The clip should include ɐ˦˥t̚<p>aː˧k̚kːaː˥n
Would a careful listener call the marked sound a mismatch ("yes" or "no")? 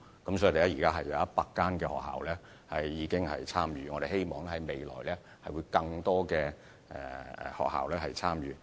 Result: no